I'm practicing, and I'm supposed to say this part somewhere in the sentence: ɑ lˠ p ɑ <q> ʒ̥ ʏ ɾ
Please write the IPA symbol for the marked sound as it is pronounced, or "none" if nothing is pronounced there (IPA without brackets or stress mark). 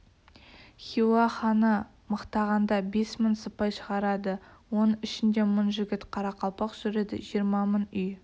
q